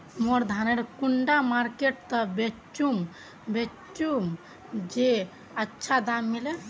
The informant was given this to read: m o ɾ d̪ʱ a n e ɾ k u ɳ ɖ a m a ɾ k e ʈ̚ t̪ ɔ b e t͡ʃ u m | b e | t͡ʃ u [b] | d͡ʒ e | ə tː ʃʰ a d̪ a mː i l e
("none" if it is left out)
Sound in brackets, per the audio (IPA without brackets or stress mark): m